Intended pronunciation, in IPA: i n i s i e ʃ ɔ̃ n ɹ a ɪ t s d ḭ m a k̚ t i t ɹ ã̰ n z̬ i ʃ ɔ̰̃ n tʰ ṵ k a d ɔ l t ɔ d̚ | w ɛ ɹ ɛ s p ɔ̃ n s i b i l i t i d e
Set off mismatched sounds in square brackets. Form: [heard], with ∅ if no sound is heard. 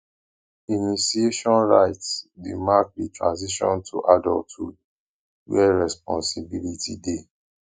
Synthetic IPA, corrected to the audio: i n i s i e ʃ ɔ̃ n ɹ a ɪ t s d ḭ m a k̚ [d] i t ɹ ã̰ n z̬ i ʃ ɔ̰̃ n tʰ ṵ [ʔ] a d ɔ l t [u] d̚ | w ɛ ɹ ɛ s p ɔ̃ n s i b i l i t i d e